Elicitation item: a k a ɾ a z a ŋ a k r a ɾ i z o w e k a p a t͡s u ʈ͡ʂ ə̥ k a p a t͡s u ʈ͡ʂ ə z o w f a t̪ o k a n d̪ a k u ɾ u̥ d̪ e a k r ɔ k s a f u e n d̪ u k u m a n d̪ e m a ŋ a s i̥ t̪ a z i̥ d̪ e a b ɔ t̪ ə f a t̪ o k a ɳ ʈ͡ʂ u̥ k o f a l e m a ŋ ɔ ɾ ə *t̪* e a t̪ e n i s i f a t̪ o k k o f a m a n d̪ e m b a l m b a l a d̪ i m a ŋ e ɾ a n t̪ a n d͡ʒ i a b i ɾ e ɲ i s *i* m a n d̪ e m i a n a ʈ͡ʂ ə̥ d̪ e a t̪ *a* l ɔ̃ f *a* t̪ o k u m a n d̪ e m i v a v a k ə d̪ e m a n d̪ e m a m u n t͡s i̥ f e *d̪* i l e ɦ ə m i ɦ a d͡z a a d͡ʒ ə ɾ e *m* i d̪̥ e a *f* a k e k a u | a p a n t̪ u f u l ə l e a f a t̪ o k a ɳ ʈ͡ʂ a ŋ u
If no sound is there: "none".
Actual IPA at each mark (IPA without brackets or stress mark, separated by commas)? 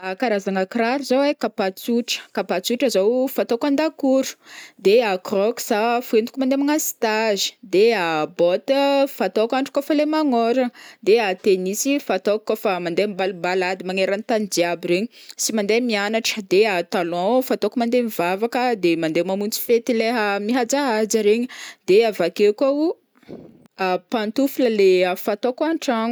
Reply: d̪, i, a, a, t̪, ɲ, v